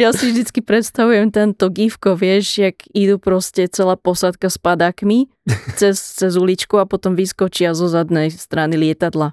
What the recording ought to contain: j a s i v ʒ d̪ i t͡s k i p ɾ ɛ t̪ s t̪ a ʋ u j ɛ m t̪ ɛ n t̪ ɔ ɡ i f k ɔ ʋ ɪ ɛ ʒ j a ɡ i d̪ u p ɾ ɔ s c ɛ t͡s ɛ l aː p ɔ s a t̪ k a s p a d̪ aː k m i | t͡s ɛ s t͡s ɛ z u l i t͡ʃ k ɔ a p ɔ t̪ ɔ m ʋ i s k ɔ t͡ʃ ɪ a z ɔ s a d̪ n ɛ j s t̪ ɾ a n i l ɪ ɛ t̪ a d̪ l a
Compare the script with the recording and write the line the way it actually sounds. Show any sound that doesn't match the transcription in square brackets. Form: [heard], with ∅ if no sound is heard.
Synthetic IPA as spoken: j a s i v ʒ d̪ i t͡s k i p ɾ ɛ t̪ s t̪ a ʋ u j ɛ m t̪ ɛ n t̪ ɔ ɡ i f k ɔ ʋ ɪ ɛ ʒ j a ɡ i d̪ u p ɾ ɔ s c ɛ t͡s ɛ l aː p ɔ s a t̪ k a s p a d̪ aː k m i | t͡s ɛ s t͡s ɛ z u l i t͡ʃ k [u] a p ɔ t̪ ɔ m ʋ i s k ɔ t͡ʃ ɪ a z ɔ [z] a d̪ n ɛ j s t̪ ɾ a n i l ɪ ɛ t̪ a d̪ l a